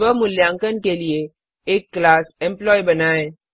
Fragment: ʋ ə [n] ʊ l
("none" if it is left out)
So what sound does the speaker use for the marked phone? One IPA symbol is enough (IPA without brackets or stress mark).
m